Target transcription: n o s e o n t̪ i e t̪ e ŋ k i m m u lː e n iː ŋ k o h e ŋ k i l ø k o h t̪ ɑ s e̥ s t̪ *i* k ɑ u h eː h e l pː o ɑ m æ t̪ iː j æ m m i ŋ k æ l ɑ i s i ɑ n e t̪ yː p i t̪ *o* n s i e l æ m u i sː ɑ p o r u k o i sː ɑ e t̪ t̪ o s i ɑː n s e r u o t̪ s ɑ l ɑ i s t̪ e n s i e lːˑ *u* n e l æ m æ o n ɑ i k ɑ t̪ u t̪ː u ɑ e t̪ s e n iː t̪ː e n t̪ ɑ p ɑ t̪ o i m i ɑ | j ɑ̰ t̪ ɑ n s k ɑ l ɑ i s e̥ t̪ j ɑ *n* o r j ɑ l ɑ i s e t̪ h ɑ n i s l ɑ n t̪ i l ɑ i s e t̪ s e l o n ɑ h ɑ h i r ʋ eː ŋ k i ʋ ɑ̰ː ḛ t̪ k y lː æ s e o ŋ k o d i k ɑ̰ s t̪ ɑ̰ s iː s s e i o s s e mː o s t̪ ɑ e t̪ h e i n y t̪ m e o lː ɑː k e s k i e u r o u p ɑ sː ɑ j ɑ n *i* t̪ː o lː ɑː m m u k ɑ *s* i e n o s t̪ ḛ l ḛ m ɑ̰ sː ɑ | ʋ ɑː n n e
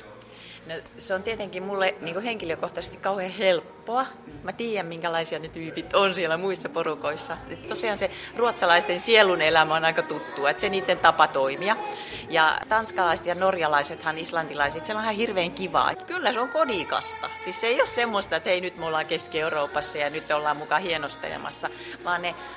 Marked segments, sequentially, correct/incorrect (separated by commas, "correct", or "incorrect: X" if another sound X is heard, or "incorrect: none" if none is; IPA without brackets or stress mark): correct, correct, correct, correct, incorrect: y, incorrect: h